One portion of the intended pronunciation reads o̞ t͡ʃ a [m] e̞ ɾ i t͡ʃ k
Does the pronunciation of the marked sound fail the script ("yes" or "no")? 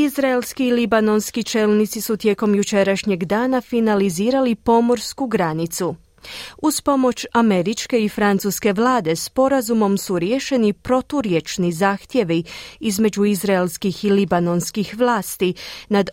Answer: no